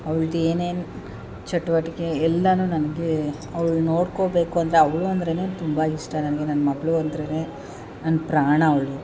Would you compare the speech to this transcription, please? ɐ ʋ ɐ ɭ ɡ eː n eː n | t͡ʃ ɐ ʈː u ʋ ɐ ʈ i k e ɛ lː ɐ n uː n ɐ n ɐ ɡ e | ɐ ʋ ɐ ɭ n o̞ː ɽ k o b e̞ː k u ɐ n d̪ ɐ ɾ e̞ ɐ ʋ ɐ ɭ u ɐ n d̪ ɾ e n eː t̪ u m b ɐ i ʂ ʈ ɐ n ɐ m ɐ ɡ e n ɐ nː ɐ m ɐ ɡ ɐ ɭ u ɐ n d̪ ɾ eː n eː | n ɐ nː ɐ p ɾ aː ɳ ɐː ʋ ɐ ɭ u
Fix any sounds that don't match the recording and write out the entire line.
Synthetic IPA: ɐ ʋ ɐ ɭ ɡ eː n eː n | t͡ʃ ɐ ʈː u ʋ ɐ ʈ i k e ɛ lː ɐ n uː n ɐ n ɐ ɡ e | ɐ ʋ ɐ ɭ n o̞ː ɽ k o b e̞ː k u ɐ n d̪ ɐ ɾ e̞ ɐ ʋ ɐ ɭ u ɐ n d̪ ɾ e n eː t̪ u m b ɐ i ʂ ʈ ɐ n ɐ n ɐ ɡ e n ɐ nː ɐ m ɐ ɡ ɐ ɭ u ɐ n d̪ ɾ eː n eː | n ɐ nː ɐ p ɾ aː ɳ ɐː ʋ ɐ ɭ u